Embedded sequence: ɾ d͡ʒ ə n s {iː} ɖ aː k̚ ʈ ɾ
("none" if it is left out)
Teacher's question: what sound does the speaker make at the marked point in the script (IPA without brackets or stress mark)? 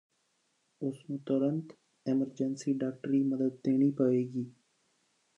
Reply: iː